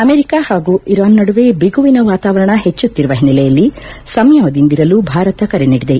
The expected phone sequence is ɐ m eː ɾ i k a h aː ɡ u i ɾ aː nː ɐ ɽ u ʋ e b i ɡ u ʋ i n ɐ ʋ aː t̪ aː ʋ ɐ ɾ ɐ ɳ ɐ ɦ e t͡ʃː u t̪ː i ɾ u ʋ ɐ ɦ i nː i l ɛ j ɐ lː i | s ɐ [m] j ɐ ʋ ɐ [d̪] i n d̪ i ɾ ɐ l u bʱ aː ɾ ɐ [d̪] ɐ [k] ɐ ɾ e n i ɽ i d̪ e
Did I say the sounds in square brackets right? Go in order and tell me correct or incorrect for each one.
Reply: correct, correct, incorrect: t̪, correct

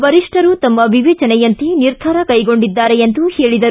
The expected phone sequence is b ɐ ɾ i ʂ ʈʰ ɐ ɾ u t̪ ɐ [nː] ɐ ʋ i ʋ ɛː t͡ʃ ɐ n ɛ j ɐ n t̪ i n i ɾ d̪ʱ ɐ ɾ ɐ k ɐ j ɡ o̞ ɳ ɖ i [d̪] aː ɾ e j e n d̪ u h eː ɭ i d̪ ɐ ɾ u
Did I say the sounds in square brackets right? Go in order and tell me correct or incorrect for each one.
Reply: incorrect: mː, incorrect: d̪ː

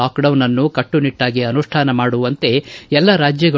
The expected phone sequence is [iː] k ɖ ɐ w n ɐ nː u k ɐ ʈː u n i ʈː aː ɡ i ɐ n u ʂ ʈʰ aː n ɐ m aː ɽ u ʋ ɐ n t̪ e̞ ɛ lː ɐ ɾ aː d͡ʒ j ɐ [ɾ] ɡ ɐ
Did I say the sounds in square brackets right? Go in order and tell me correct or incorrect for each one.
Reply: incorrect: aː, incorrect: none

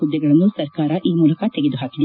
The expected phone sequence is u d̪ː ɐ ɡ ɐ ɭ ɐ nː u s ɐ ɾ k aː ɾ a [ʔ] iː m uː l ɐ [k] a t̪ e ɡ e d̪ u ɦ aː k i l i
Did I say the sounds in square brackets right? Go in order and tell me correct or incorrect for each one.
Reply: correct, correct

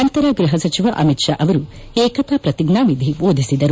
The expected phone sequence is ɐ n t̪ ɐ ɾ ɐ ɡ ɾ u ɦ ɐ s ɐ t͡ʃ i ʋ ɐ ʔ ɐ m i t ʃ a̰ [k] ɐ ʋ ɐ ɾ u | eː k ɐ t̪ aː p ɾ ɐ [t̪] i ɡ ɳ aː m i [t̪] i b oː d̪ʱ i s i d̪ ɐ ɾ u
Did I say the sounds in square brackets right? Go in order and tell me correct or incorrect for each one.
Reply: incorrect: ʔ, correct, incorrect: d̪

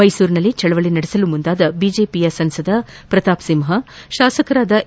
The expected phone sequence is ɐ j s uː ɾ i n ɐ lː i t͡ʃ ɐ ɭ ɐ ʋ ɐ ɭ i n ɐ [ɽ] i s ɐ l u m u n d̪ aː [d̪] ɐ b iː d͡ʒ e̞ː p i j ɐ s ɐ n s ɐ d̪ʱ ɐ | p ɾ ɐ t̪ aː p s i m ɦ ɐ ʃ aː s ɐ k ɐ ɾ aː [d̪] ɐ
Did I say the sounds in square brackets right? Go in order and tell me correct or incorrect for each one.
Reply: correct, correct, correct

